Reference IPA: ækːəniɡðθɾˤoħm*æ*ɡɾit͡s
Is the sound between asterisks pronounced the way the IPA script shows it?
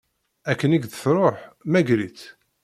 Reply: yes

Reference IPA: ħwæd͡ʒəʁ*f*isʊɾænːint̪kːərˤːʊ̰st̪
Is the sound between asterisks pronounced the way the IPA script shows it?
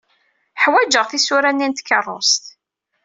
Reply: no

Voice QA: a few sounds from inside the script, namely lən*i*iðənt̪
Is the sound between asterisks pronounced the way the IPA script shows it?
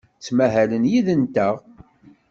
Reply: no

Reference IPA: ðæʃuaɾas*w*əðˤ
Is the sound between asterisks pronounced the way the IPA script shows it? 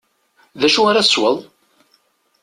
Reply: yes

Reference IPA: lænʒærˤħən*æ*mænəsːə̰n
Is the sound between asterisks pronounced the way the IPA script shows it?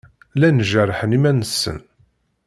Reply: no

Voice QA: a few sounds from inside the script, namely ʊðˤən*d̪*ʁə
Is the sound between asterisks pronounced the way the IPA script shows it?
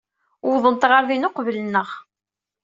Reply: no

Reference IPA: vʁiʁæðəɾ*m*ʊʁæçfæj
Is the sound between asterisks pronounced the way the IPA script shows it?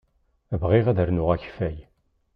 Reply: no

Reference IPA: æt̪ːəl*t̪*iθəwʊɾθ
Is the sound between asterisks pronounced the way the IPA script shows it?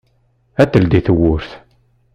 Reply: no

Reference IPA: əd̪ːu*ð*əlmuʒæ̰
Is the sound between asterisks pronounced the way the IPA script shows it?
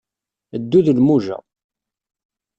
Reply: yes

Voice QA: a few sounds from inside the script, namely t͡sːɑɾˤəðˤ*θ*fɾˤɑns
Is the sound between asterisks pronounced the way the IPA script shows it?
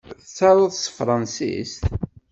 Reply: no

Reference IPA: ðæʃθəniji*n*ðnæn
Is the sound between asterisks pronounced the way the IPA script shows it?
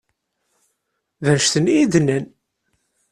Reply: no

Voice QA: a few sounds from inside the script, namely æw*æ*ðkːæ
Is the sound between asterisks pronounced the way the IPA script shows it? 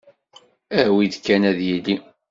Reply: no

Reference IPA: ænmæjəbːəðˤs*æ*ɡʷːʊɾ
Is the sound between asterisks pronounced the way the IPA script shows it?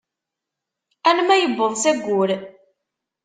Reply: yes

